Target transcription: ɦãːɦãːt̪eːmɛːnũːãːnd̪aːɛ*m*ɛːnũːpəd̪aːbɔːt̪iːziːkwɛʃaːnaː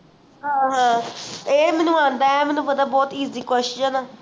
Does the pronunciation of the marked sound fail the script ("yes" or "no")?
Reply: no